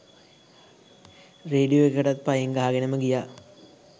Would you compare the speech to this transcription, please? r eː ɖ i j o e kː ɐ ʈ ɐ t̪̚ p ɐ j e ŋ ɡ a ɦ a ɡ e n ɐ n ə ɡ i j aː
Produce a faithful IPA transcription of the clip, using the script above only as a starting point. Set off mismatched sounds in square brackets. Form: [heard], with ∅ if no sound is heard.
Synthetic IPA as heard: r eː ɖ i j o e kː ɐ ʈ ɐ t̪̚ p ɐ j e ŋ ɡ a ɦ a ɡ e n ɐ [m] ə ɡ i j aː